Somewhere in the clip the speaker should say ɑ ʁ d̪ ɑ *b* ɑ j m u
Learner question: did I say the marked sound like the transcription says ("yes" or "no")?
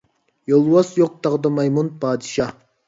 no